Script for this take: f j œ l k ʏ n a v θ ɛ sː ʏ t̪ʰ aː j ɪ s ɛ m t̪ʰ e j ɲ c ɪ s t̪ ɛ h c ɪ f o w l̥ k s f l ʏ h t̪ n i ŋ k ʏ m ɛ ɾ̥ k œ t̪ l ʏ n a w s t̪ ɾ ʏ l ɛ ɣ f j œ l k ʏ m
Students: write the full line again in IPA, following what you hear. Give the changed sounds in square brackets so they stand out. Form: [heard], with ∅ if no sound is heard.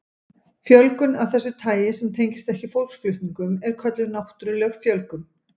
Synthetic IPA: f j œ l k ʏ n a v θ ɛ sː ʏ t̪ʰ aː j ɪ s ɛ m t̪ʰ e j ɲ c ɪ s t̪ ɛ h c ɪ f o w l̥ k s f l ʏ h t̪ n i ŋ k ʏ m ɛ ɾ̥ [kʰ] œ t̪ l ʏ n a w [h] t̪ ɾ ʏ l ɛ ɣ f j œ l k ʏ m